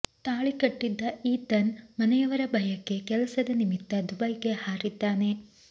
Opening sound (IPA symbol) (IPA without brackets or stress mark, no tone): t̪